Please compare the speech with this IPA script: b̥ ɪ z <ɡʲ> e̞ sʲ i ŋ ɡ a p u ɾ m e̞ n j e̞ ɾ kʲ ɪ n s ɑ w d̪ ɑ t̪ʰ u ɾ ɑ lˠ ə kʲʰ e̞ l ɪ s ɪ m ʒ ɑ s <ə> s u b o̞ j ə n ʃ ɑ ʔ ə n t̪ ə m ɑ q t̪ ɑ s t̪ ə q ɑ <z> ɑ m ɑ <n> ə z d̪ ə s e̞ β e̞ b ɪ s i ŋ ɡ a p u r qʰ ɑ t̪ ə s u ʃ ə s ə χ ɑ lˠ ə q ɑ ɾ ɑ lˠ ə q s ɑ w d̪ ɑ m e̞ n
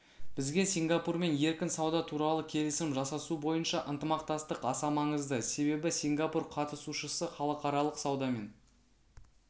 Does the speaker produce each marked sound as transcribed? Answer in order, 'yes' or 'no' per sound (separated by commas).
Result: yes, no, no, no